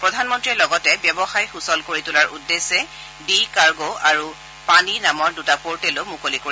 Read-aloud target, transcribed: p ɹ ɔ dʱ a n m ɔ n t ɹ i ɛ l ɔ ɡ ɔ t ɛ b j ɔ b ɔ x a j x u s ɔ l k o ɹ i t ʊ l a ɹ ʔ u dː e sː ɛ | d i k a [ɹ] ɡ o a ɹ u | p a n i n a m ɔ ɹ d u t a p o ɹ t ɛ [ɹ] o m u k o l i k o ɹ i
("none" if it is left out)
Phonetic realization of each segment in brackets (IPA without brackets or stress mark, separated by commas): ɹ, l